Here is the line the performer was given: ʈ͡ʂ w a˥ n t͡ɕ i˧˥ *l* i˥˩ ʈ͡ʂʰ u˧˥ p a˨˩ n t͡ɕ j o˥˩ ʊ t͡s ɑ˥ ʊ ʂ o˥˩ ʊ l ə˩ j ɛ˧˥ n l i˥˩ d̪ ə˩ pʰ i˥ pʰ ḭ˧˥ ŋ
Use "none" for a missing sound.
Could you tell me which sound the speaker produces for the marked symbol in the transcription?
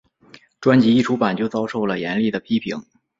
none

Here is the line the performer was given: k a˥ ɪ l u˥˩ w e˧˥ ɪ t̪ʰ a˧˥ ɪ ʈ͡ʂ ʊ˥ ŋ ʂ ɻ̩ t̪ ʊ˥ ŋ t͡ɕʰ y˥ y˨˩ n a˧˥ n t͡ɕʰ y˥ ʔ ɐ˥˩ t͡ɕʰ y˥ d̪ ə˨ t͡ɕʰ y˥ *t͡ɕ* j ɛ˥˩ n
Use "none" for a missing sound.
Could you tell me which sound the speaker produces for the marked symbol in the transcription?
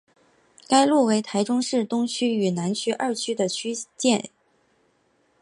t͡ɕ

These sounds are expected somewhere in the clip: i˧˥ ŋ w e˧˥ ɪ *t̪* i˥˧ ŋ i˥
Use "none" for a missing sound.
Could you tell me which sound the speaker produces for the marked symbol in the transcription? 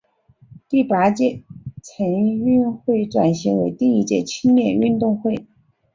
t̪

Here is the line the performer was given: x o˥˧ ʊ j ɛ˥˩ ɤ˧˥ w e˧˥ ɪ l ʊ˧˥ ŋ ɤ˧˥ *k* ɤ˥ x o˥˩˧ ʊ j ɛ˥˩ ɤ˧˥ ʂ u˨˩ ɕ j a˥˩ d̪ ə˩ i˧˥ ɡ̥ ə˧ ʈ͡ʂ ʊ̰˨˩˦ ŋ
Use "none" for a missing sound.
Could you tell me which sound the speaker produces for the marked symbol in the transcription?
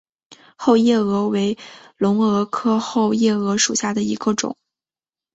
kʰ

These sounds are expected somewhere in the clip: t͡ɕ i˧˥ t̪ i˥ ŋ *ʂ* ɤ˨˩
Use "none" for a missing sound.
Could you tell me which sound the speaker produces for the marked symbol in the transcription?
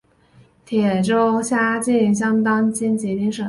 ʂ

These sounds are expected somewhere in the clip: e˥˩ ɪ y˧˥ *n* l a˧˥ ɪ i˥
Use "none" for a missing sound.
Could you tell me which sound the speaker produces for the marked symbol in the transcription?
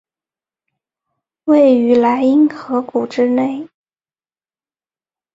none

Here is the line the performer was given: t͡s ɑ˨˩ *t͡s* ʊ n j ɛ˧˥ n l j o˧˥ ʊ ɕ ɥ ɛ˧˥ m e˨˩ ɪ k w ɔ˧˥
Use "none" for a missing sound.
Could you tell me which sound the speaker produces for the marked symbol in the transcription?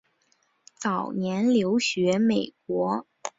none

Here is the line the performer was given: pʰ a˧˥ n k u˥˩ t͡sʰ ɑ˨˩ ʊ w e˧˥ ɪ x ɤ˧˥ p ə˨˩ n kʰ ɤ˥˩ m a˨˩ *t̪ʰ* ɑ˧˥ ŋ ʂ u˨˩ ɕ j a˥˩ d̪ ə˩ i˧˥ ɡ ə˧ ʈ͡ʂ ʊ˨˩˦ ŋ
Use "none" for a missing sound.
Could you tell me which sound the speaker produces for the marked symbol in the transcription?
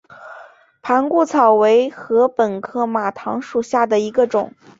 t̪ʰ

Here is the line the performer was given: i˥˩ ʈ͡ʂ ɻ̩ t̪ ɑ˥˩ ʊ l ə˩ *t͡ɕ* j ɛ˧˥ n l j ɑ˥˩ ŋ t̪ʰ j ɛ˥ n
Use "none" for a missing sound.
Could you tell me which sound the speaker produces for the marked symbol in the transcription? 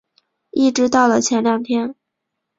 t͡ɕʰ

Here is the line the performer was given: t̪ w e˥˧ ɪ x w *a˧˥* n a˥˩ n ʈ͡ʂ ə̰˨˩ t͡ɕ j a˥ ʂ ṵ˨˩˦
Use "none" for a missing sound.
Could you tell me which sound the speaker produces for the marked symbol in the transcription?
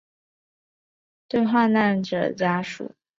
a˥˧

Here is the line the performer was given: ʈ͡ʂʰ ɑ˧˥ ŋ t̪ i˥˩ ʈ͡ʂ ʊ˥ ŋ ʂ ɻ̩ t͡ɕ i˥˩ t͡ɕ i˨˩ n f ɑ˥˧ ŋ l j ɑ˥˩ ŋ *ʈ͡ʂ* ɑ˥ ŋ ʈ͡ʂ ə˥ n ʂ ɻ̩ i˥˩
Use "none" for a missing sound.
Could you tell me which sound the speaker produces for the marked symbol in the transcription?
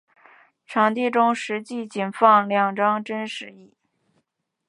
ʈ͡ʂ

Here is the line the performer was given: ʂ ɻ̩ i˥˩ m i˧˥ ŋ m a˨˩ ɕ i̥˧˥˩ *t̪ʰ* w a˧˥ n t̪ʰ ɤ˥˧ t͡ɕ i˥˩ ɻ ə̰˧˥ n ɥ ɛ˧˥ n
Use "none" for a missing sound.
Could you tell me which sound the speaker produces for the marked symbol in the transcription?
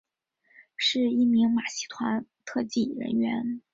t̪ʰ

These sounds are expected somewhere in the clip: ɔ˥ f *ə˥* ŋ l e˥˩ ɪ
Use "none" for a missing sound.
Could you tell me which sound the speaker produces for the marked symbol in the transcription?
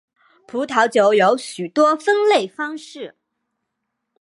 ə˥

